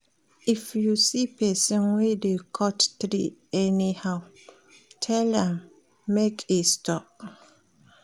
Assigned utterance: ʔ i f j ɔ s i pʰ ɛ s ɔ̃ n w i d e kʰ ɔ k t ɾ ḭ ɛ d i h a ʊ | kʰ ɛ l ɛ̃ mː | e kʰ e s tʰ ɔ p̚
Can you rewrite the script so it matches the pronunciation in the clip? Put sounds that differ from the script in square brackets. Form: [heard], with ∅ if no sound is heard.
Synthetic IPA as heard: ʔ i f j [u] s i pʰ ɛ s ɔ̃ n w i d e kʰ ɔ [t] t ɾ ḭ ɛ [n] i h a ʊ | [tʰ] ɛ l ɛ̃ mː | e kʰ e s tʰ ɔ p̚